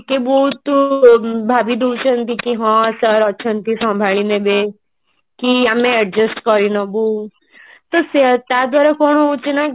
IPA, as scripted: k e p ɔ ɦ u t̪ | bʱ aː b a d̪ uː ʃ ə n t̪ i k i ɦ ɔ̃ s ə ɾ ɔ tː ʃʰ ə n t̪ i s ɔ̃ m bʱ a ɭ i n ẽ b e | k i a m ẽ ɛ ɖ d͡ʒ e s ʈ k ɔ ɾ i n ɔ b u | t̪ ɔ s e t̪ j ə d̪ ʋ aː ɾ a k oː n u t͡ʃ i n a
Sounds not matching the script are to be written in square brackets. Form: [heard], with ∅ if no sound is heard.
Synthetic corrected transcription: k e [b] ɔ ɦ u t̪ | bʱ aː b [i] d̪ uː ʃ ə n t̪ i k i ɦ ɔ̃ s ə ɾ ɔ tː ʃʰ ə n t̪ i s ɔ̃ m bʱ a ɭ i n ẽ b e | k i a m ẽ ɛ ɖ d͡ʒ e s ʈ k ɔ ɾ i n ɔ b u | t̪ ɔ s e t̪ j [a] d̪ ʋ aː ɾ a k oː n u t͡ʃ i n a